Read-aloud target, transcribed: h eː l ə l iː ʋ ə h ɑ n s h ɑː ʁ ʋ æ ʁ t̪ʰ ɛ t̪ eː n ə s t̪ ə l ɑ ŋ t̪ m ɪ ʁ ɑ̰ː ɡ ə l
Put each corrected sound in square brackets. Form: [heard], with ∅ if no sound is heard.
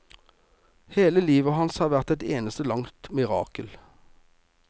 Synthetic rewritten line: h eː l ə l iː ʋ ə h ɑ n s h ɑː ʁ ʋ æ ʁ [t̪] ɛ t̪ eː n ə s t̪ ə l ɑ ŋ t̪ m ɪ ʁ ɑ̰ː [k] ə l